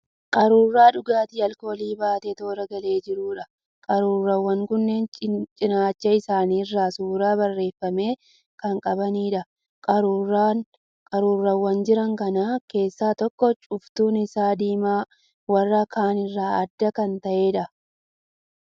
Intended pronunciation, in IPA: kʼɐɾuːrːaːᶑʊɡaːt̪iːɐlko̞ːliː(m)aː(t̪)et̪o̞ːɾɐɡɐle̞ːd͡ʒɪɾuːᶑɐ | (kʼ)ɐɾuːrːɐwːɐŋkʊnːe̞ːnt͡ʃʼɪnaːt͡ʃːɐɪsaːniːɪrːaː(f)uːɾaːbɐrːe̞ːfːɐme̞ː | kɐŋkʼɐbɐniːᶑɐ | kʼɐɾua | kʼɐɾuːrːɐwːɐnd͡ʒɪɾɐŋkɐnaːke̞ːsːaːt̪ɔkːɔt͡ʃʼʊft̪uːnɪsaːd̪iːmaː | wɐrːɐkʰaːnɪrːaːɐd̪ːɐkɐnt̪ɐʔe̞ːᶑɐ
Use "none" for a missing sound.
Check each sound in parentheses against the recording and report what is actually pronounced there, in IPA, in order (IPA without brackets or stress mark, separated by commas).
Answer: b, t̪, kʼ, s